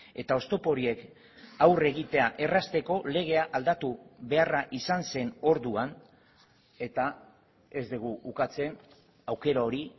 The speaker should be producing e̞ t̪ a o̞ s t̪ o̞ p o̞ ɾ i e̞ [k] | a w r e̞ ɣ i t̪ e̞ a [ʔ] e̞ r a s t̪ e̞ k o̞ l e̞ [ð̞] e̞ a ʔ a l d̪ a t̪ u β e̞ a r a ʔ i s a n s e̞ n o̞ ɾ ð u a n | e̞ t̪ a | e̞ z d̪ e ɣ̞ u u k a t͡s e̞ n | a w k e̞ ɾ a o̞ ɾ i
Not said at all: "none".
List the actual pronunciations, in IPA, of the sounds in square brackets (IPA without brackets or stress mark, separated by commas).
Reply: k, ʔ, ɣ̞